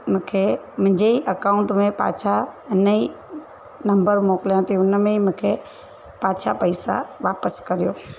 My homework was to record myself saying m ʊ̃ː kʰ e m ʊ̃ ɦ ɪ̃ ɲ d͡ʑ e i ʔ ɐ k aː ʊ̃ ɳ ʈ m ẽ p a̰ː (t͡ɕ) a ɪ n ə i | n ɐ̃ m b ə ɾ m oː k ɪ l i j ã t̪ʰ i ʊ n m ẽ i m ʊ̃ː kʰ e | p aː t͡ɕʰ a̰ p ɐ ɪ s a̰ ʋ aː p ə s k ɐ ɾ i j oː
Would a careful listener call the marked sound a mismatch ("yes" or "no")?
yes